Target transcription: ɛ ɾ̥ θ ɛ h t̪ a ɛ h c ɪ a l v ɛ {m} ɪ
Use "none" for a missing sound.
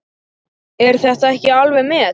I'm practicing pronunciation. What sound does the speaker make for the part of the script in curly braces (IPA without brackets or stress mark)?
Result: m